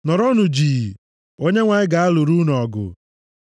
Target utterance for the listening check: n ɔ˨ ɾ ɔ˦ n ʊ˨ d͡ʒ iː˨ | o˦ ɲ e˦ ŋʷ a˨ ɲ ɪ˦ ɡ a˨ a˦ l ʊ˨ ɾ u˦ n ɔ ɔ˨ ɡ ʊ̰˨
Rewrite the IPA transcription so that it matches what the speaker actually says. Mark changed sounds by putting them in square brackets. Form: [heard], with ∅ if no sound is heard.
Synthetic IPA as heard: n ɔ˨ ɾ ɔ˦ n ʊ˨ d͡ʒ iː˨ | o˦ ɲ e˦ ŋʷ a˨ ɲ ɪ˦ ɡ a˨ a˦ l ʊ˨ ɾ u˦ n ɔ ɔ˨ ɡ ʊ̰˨

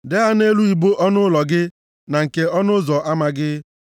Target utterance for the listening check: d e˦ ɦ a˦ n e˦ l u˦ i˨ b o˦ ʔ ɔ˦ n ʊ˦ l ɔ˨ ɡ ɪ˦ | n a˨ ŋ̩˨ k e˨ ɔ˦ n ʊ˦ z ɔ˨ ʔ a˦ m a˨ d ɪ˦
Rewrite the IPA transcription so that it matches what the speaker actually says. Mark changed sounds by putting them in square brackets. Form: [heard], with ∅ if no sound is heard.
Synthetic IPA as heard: d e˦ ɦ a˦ n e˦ l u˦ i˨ b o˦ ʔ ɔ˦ n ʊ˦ l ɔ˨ ɡ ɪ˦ | n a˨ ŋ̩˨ k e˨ ɔ˦ n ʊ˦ z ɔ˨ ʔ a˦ m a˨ [ɡ] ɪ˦

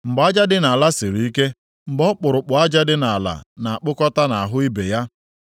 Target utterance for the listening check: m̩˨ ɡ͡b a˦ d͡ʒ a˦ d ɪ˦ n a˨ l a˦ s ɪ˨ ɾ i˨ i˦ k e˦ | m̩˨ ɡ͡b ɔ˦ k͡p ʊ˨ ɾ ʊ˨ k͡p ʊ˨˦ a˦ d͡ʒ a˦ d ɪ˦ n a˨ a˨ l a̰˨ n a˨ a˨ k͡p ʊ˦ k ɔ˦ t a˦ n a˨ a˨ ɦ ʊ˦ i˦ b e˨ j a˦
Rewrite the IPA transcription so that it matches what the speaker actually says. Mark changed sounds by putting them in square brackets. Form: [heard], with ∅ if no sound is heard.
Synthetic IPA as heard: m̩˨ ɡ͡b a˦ d͡ʒ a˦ d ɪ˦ n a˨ l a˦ s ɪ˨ ɾ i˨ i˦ k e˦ | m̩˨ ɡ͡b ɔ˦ k͡p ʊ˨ ɾ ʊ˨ k͡p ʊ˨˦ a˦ d͡ʒ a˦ d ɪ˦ n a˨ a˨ l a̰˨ n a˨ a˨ k͡p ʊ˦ k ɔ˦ t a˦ n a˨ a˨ ɦ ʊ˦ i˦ b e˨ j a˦

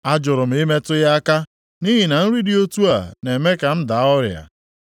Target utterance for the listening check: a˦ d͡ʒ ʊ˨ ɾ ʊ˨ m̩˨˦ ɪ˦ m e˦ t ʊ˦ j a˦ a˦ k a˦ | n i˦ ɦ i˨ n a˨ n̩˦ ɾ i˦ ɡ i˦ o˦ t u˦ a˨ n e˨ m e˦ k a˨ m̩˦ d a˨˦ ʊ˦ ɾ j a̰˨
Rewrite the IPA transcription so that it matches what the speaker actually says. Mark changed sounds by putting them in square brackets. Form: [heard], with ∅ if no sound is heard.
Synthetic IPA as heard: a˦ d͡ʒ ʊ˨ ɾ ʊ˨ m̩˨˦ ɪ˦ m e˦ t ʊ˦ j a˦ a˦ k a˦ | n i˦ ɦ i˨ n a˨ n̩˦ ɾ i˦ [d] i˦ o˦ t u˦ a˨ n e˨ m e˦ k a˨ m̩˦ d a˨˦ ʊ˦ ɾ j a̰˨

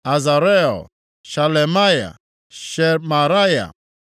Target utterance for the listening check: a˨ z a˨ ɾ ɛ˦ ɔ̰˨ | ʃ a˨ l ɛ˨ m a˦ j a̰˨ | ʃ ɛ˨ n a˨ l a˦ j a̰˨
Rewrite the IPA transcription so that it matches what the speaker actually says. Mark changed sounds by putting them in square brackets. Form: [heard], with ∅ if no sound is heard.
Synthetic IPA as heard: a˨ z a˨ ɾ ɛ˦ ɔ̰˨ | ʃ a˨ l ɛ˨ m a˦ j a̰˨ | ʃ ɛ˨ [m] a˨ [ɾ] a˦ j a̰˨

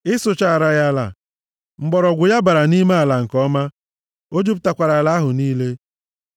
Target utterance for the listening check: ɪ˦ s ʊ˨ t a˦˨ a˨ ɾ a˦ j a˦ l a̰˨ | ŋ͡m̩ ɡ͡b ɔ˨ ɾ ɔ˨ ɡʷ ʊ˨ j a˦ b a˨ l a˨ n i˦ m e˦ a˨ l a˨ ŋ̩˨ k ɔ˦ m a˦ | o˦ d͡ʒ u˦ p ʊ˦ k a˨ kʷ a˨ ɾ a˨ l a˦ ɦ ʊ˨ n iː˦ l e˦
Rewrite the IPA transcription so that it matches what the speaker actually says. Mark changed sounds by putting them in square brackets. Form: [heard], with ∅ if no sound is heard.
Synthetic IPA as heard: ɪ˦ s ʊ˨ [t͡ʃ] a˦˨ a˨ ɾ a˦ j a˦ l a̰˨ | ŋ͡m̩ ɡ͡b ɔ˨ ɾ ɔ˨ ɡʷ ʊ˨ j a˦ b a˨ [ɾ] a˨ n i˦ m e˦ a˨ l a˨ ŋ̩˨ k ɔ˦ m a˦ | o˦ d͡ʒ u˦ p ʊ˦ [t] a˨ kʷ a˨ ɾ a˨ l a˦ ɦ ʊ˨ n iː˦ l e˦

